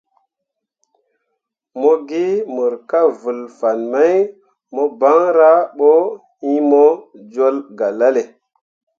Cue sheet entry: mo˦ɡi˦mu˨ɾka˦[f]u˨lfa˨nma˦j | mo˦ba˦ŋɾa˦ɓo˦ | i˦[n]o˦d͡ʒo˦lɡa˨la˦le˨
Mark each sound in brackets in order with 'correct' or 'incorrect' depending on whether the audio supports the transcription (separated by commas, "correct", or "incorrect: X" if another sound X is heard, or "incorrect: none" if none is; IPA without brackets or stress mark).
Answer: incorrect: v, incorrect: m